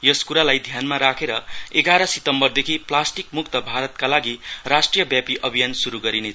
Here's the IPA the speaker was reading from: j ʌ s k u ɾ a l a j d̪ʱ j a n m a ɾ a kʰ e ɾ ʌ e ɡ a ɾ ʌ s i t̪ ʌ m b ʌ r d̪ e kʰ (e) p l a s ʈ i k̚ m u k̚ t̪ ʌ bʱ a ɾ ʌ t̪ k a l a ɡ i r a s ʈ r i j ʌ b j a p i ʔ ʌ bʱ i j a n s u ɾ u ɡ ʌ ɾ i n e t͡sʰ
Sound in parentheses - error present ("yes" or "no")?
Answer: yes